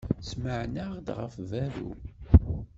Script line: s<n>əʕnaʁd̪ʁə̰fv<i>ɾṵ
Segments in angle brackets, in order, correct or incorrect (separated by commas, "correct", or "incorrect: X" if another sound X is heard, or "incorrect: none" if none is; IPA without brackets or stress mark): incorrect: m, incorrect: æ